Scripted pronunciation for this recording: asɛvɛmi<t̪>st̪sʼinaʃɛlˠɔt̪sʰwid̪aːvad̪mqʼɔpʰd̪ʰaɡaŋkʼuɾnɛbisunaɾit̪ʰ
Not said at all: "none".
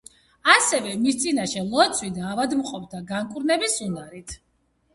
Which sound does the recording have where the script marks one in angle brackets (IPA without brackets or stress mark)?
none